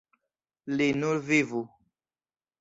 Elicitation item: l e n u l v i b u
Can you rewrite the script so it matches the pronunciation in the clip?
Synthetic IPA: l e n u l v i v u

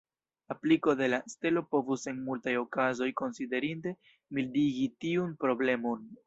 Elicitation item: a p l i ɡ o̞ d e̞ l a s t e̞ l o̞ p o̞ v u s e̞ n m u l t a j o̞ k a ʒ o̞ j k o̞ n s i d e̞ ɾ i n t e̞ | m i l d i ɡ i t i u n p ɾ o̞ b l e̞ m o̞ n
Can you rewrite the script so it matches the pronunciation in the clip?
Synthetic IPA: a p l i k o̞ d e̞ l a s t e̞ l o̞ p o̞ v u s e̞ n m u l t a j o̞ k a z o̞ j k o̞ n s i d e̞ ɾ i n t e̞ | m i l d i ɡ i t i u n p ɾ o̞ b l e̞ m o̞ n

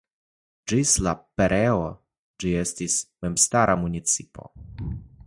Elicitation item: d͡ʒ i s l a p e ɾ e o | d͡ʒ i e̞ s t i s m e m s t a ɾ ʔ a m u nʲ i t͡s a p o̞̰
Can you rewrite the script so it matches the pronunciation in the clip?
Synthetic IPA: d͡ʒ i s l a p e ɾ e o | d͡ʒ i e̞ s t i s m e m s t a ɾ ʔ a m u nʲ i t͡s i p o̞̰

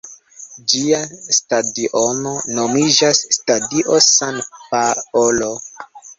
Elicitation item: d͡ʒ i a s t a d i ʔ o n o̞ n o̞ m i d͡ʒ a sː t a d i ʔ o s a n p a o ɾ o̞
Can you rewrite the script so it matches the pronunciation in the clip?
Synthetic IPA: d͡ʒ i a s t a d i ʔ o n o̞ n o̞ m i d͡ʒ a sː t a d i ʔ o s a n p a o l o̞

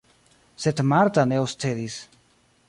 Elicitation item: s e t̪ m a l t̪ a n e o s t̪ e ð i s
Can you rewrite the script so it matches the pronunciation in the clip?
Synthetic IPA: s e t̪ m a ɾ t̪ a n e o s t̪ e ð i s

